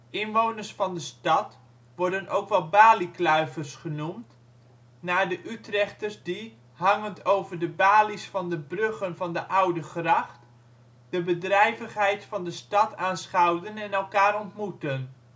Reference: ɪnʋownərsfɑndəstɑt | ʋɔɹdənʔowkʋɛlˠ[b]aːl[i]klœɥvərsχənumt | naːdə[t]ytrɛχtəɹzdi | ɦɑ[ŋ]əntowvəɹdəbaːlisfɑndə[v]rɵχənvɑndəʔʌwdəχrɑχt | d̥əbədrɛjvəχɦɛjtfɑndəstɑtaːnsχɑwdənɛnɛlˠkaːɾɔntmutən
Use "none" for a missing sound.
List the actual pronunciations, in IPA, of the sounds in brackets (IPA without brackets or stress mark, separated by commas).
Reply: b, i, ʔ, ŋ, b